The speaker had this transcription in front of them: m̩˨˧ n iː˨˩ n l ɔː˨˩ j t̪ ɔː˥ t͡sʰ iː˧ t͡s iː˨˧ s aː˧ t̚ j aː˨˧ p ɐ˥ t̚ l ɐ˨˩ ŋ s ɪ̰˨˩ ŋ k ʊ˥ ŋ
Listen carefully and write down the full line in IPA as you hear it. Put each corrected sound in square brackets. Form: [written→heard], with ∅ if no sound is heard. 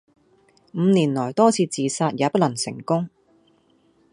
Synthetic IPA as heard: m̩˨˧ n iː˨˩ n l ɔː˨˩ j t̪ ɔː˥ t͡sʰ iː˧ t͡s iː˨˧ s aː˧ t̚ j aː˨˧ p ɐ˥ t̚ l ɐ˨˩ ŋ s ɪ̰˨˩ ŋ k ʊ˥ ŋ